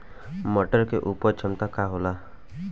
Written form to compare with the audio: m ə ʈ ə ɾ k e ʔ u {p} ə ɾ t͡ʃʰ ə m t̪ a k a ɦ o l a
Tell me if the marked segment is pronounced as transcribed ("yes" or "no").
yes